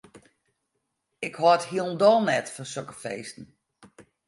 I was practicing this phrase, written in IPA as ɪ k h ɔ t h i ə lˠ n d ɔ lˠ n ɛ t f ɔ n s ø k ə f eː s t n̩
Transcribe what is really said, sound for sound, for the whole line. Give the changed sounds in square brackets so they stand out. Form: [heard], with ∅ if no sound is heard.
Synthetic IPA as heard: ɪ k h ɔ t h i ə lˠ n d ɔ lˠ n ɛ t f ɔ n s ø k ə f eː s t n̩

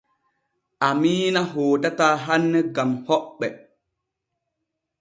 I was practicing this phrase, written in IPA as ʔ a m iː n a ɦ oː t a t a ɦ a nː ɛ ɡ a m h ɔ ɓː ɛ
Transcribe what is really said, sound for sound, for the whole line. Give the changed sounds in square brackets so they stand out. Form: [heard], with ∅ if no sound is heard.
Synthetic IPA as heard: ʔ a m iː n a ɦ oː t a t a ɦ a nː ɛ ɡ a m h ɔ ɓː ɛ

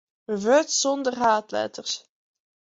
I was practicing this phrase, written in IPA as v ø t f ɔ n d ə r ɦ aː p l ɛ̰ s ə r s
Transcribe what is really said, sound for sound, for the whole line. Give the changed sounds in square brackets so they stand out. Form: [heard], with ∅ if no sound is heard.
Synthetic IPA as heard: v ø t [s] ɔ n d ə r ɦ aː [t] l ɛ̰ [t] ə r s

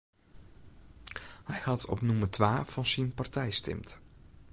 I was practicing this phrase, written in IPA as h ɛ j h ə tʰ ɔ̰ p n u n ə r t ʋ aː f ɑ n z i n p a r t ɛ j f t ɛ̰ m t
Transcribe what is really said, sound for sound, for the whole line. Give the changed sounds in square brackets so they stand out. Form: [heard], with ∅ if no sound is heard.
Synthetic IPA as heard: h ɛ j h [ɑ] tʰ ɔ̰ p n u [m] ə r t ʋ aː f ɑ n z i n p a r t ɛ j [s] t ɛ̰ m t

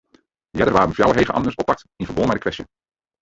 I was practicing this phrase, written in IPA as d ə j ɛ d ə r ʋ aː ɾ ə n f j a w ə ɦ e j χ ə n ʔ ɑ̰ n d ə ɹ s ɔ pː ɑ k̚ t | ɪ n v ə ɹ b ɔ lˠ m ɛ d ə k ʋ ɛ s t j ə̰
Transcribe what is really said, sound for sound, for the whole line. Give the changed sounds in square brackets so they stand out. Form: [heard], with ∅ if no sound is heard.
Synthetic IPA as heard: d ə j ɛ d ə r ʋ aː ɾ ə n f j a w ə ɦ e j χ ə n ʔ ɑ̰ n d ə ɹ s ɔ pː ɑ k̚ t | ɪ n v ə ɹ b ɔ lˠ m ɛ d ə k ʋ ɛ s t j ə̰

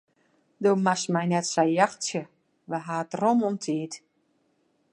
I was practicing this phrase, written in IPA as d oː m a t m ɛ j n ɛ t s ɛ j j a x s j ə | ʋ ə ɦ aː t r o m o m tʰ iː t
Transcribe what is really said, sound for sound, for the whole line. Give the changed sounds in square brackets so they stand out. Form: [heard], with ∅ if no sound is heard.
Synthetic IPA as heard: d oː m a [s] m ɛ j n ɛ t s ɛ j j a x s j ə | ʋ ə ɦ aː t r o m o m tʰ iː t

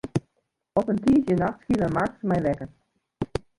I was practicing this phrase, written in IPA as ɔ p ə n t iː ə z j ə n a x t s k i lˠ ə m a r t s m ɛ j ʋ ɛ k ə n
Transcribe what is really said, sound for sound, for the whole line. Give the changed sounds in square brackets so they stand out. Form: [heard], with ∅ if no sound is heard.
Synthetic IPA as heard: ɔ p ə n t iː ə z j ə n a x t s k i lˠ ə m a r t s m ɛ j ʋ ɛ k ə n

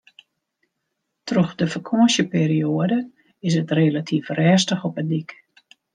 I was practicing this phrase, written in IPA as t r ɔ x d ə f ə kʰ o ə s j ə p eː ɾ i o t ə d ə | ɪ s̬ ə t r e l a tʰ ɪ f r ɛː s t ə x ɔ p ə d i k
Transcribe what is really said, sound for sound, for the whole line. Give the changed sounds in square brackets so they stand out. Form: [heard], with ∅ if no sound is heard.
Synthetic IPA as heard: t r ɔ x d ə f ə kʰ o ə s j ə p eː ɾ i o [∅] ə d ə | ɪ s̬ ə t r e l a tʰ [i] f r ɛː s t ə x ɔ p ə d i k

